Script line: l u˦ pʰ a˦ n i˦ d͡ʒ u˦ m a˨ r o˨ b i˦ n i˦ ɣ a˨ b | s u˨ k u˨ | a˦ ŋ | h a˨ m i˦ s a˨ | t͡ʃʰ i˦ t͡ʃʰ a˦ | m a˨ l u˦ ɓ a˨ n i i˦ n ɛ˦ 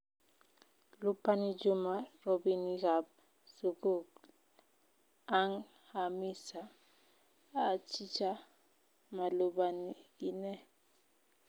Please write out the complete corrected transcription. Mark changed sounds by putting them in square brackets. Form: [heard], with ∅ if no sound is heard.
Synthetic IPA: l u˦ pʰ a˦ n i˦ d͡ʒ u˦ m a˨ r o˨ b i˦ n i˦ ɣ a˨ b | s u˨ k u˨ | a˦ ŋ | h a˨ m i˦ s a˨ | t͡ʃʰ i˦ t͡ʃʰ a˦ | m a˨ l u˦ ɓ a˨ n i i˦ n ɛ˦